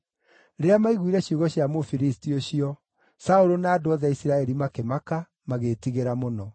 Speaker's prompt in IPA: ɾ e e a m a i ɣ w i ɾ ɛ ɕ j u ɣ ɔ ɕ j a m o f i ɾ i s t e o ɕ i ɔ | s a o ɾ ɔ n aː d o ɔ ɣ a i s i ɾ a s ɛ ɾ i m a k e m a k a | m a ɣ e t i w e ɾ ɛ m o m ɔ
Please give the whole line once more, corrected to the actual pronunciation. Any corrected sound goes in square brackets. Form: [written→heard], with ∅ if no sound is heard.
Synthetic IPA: ɾ e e a m a i ɣ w i ɾ ɛ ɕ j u ɣ ɔ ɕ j a m o f i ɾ i s t [e→i] o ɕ i ɔ | s a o ɾ [ɔ→o] n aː d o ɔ [ɣ→ð] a i s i ɾ a [s→∅] ɛ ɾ i m a k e m a k a | m a ɣ e t i [w→ɣ] e ɾ [ɛ→a] m o [m→n] ɔ